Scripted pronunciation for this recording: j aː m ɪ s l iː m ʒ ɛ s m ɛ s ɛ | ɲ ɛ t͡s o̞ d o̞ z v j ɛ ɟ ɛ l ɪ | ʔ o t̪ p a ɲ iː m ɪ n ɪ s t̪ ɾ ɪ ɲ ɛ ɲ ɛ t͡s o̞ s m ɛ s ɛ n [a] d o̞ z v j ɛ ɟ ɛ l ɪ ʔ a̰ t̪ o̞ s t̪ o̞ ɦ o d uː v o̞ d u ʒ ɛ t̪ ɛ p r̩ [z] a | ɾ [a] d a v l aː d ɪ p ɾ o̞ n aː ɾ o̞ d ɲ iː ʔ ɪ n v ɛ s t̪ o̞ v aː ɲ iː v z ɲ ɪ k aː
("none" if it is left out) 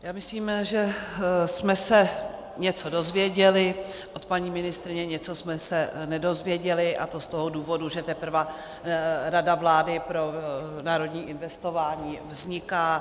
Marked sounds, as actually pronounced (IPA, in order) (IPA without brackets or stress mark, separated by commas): ɛ, v, a